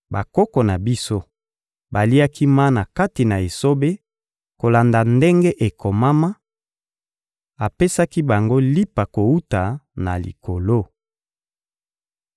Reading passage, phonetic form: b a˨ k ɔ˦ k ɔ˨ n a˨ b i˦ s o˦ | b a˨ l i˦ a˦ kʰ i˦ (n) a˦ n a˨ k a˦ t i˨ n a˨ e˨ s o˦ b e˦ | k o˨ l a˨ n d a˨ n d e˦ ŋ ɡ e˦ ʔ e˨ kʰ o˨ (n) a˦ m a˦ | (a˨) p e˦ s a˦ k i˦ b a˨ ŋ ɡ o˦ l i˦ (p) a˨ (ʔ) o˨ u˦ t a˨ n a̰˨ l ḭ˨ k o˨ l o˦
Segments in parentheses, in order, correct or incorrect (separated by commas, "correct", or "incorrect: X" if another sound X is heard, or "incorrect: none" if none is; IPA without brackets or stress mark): incorrect: m, incorrect: m, correct, correct, incorrect: k